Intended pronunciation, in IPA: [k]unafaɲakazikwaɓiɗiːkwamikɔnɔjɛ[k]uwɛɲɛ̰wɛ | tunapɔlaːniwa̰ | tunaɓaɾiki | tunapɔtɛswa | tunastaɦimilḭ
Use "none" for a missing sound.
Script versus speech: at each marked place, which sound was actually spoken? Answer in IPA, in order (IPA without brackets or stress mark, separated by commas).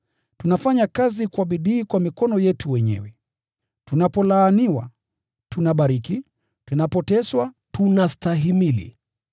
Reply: t, t